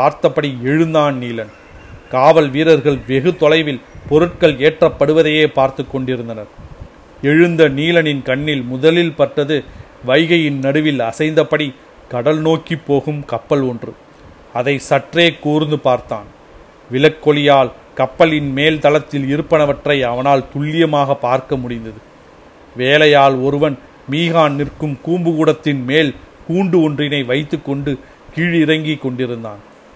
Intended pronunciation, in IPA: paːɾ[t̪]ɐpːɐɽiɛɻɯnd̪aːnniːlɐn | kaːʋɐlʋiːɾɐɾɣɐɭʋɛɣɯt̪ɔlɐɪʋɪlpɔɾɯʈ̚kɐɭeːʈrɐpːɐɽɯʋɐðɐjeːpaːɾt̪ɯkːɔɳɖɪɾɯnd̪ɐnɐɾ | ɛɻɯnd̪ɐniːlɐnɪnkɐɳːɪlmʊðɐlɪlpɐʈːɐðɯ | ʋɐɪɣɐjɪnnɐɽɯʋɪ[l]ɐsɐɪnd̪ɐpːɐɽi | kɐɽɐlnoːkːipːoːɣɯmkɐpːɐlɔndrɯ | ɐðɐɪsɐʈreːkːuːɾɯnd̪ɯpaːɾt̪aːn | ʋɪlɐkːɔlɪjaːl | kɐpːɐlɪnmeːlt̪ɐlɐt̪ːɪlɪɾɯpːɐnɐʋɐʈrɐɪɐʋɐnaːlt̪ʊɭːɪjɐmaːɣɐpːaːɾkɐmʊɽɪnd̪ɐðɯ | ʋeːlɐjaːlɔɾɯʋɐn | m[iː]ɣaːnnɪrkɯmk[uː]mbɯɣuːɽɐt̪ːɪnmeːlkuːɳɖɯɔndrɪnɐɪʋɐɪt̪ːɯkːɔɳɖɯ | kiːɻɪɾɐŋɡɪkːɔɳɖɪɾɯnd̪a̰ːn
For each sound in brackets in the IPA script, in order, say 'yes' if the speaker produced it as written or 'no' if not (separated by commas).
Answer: yes, yes, yes, yes